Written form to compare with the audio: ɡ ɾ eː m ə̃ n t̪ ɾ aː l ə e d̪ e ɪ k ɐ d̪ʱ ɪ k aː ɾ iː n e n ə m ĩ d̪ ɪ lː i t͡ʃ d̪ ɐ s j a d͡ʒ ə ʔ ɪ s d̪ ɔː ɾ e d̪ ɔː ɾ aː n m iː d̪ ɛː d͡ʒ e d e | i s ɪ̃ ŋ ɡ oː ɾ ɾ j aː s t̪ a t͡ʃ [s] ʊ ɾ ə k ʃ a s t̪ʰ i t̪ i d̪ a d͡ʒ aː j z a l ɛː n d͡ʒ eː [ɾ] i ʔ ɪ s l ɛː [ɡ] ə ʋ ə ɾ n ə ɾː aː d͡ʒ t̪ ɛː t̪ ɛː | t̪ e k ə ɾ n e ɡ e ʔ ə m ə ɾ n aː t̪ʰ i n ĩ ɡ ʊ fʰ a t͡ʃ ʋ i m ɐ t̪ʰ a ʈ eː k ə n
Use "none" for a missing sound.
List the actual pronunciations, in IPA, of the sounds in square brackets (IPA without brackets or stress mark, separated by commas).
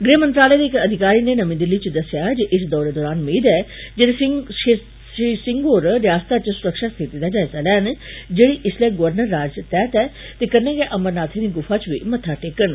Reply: s, ɽ, ɡ